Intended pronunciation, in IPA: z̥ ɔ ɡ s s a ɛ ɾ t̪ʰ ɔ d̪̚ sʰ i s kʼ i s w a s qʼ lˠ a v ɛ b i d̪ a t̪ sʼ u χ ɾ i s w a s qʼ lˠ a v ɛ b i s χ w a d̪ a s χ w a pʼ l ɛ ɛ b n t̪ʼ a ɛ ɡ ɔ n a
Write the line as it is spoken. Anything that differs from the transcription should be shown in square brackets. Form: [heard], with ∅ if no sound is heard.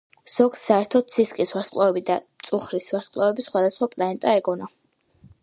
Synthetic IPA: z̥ ɔ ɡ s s a ɛ ɾ t̪ʰ ɔ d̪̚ sʰ i s kʼ i s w a s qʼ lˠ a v ɛ b i d̪ a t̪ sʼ u χ ɾ i s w a s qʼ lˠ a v ɛ b i s χ w a d̪ a s χ w a pʼ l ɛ ɛ [∅] n t̪ʼ a ɛ ɡ ɔ n a